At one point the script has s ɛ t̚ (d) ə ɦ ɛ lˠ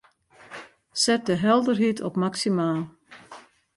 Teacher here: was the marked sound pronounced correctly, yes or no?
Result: yes